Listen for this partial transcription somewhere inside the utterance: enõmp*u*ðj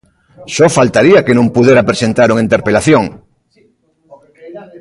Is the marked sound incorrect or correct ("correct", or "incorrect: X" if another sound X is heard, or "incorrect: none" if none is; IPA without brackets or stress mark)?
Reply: correct